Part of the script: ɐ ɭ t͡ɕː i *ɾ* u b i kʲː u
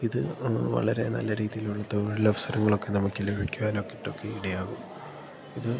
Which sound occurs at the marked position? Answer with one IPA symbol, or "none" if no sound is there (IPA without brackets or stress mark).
l